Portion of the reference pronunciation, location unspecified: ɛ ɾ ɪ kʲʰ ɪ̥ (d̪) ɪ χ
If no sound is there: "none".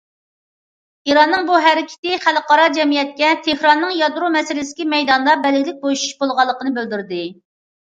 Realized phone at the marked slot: t̪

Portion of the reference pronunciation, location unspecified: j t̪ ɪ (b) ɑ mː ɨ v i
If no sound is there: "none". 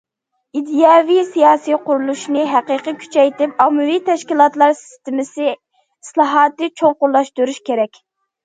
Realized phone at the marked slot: p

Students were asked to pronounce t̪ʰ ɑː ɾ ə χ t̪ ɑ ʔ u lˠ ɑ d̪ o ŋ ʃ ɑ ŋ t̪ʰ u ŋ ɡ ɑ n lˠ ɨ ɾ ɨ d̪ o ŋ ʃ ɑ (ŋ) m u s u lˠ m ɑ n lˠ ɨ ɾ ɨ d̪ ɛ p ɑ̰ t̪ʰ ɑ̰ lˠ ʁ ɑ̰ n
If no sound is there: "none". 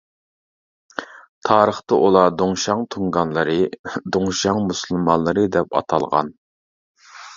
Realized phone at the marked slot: ŋ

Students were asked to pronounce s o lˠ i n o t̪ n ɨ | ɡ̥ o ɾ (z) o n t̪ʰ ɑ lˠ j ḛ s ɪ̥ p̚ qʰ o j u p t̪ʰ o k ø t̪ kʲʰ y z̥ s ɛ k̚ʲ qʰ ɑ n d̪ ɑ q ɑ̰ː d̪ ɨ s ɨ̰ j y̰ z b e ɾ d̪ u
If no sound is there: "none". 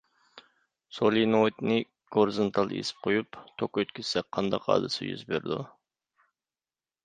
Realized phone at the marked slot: z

